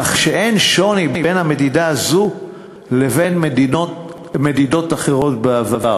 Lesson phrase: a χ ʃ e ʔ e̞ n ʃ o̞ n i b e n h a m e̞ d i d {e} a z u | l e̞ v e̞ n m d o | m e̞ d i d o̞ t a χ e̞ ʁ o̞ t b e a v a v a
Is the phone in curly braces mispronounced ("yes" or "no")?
yes